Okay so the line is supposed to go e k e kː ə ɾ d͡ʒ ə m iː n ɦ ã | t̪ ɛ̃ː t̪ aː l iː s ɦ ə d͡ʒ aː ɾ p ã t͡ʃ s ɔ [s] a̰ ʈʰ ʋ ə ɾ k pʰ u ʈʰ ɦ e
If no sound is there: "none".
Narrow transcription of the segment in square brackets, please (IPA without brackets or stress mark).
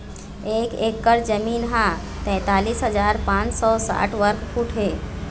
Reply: s